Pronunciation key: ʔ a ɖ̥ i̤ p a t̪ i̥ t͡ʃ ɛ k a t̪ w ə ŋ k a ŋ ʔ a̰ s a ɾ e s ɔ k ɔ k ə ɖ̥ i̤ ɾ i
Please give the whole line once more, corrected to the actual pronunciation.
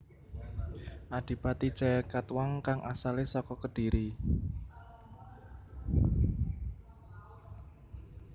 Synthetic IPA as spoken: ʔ a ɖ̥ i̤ p a t̪ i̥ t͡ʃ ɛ k a t̪ w a ŋ k a ŋ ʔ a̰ s a l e s ɔ k ɔ k ə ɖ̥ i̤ ɾ i

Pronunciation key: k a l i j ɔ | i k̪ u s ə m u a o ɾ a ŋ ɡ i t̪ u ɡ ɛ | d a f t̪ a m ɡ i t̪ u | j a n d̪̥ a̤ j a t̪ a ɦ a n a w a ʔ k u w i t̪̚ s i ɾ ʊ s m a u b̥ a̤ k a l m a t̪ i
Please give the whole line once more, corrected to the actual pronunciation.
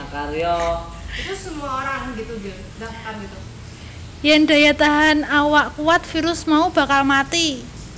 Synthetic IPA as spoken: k a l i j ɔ | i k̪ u s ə m u a o ɾ a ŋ ɡ i t̪ u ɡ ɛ | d a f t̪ a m ɡ i t̪ u | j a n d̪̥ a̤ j a t̪ a ɦ a n a w a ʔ k u w a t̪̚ f i ɾ ʊ s m a u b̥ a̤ k a l m a t̪ i

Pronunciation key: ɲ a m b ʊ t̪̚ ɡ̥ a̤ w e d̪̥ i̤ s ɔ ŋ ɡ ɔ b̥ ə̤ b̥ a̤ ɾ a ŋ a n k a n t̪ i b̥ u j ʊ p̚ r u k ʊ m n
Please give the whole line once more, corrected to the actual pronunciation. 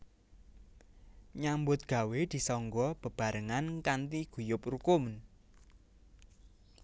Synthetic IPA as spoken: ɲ a m b ʊ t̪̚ ɡ̥ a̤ w e d̪̥ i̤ s ɔ ŋ ɡ ɔ b̥ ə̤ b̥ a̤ ɾ ə ŋ a n k a n t̪ i ɡ̥ u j ʊ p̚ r u k ʊ m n

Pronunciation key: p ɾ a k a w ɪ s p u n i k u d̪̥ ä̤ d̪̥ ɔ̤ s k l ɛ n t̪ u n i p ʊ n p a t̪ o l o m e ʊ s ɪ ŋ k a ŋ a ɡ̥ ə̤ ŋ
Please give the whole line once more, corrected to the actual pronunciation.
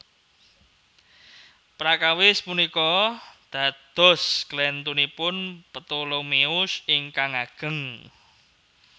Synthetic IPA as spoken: p ɾ a k a w ɪ s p u n i k ɔ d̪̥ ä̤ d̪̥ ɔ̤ s k l ɛ n t̪ u n i p ʊ n p ə t̪ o l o m e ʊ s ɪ ŋ k a ŋ a ɡ̥ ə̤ ŋ

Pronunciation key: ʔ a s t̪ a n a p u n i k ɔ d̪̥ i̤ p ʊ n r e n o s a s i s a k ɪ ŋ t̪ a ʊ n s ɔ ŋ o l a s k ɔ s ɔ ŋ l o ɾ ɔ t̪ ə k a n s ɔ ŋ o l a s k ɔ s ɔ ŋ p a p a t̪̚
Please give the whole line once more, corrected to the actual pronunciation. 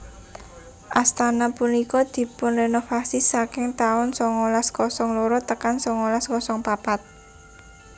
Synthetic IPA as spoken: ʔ a s t̪ a n a p u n i k ɔ d̪̥ i̤ p ʊ n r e n o f a s i s a k ɪ ŋ t̪ a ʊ n s ɔ ŋ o l a s k ɔ s ɔ ŋ l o ɾ ɔ t̪ ə k a n s ɔ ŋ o l a s k ɔ s ɔ ŋ p a p a t̪̚

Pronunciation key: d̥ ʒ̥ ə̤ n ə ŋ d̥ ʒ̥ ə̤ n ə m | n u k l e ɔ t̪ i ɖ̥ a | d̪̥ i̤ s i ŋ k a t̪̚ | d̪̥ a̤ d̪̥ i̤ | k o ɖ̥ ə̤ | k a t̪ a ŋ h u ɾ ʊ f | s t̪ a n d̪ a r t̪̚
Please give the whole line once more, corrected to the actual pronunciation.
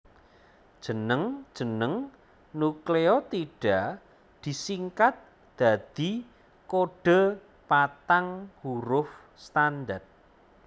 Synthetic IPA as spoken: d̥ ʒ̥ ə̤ n ə ŋ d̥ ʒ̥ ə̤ n ə ŋ | n u k l e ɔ t̪ i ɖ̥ a | d̪̥ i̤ s i ŋ k a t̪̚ | d̪̥ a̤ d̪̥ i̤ | k o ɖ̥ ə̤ | p a t̪ a ŋ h u ɾ ʊ f | s t̪ a n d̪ a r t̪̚

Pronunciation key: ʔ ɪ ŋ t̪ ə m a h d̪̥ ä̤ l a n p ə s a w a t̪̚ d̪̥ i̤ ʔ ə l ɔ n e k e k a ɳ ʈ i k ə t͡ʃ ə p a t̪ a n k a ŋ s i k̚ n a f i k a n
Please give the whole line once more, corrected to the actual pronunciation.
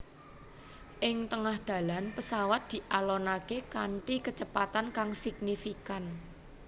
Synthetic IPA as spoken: ʔ ɪ ŋ t̪ ə ŋ a h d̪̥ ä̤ l a n p ə s a w a t̪̚ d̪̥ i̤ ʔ a l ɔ n a k e k a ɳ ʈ i k ə t͡ʃ ə p a t̪ a n k a ŋ s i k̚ n i f i k a n

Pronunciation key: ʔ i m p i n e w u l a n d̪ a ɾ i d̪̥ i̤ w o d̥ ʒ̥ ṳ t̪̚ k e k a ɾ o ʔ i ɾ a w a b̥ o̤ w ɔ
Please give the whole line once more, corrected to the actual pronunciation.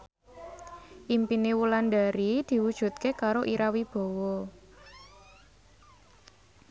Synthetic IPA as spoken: ʔ i m p i n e w u l a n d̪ a ɾ i d̪̥ i̤ w u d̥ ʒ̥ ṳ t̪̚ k e k a ɾ o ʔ i ɾ a w i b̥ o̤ w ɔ

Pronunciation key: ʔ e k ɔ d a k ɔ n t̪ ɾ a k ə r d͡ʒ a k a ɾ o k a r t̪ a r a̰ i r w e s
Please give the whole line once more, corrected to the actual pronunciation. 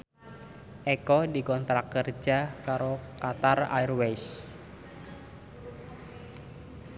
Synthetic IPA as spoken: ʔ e k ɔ d i k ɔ n t̪ ɾ a k ə r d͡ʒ a k a ɾ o k a t̪ a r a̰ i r w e s

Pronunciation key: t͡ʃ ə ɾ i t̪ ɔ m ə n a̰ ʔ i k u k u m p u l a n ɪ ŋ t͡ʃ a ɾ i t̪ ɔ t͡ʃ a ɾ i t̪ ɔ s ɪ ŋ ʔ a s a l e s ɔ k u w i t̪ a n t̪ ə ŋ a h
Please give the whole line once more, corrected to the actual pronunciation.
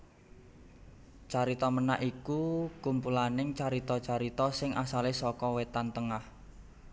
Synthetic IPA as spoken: t͡ʃ a ɾ i t̪ ɔ m ə n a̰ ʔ i k u k u m p u l a n ɪ ŋ t͡ʃ a ɾ i t̪ ɔ t͡ʃ a ɾ i t̪ ɔ s ɪ ŋ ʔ a s a l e s ɔ k ɔ w e t̪ a n t̪ ə ŋ a h

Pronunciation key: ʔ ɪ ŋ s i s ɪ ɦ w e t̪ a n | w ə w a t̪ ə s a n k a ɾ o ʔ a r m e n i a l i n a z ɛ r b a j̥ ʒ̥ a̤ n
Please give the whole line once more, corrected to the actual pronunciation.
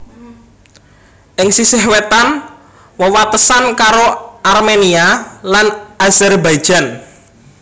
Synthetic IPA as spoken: ʔ ɪ ŋ s i s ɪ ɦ w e t̪ a n | w ə w a t̪ ə s a n k a ɾ o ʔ a r m e n i a l a n a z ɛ r b a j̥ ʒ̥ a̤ n

